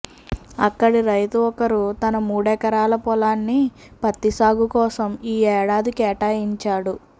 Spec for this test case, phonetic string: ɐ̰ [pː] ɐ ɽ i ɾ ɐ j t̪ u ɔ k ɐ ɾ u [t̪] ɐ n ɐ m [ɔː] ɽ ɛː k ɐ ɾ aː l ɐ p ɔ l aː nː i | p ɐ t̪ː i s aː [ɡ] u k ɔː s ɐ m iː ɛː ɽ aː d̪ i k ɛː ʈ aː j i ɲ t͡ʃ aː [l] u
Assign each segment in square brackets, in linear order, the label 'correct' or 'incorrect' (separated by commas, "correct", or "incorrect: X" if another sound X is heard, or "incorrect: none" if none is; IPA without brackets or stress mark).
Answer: incorrect: kː, correct, incorrect: uː, correct, incorrect: ɽ